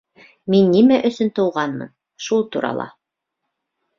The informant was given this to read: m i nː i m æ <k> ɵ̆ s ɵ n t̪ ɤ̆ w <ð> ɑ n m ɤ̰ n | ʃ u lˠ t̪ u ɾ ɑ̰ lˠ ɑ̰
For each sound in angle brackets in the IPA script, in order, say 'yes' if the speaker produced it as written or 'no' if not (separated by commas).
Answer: no, no